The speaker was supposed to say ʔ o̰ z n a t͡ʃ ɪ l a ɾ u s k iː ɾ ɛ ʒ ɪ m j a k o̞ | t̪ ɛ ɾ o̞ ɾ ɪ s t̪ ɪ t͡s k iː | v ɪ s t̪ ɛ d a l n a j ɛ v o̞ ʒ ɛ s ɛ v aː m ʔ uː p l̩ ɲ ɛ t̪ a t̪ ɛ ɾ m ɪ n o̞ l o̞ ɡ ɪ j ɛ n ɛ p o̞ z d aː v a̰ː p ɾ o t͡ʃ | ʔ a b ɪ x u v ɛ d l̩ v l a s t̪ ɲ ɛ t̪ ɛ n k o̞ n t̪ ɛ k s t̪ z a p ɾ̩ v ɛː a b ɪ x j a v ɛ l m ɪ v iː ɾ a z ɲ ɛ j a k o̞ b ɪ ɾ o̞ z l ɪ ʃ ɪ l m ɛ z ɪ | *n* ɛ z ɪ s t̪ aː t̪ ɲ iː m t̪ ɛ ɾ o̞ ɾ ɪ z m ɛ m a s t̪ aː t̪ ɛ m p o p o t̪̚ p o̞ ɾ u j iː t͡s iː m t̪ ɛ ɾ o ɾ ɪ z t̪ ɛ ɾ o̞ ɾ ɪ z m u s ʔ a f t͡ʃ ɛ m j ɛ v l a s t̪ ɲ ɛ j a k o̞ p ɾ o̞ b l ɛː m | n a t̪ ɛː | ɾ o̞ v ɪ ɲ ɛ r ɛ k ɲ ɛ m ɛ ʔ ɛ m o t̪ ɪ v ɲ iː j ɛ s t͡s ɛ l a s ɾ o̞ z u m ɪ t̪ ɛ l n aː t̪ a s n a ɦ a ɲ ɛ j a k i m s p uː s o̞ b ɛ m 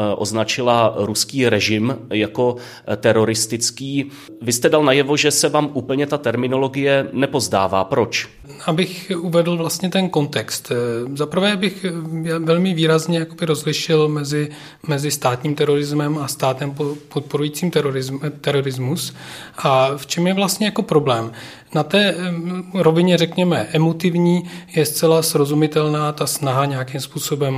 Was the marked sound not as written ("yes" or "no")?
yes